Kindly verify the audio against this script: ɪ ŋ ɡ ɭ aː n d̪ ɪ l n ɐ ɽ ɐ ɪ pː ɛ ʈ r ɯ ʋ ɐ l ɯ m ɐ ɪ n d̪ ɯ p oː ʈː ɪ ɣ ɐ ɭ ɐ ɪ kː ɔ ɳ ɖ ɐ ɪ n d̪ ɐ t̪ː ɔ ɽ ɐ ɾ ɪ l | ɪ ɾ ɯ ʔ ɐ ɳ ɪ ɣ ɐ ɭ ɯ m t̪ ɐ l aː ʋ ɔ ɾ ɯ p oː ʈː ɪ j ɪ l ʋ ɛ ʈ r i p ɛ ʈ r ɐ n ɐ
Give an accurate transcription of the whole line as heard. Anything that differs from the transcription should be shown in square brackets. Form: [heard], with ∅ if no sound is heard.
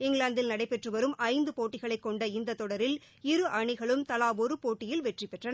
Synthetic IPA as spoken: ɪ ŋ ɡ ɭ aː n d̪ ɪ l n ɐ ɽ ɐ ɪ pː ɛ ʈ r ɯ ʋ ɐ [ɾ] ɯ m ɐ ɪ n d̪ ɯ p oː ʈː ɪ ɣ ɐ ɭ ɐ ɪ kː ɔ ɳ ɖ ɐ ɪ n d̪ ɐ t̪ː ɔ ɽ ɐ ɾ ɪ l | ɪ ɾ ɯ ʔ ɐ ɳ ɪ ɣ ɐ ɭ ɯ m t̪ ɐ l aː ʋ ɔ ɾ ɯ p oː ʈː ɪ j ɪ l ʋ ɛ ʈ r i p ɛ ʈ r ɐ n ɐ